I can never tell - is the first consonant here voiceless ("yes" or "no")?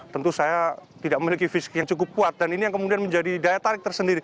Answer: yes